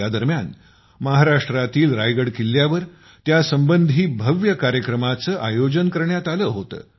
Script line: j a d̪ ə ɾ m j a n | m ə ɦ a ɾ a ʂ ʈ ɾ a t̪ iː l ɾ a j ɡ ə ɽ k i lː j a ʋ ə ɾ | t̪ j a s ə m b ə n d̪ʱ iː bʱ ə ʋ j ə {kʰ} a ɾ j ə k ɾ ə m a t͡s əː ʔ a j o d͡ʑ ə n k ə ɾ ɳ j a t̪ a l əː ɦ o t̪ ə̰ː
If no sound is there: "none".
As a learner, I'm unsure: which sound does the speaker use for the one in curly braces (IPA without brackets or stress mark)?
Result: k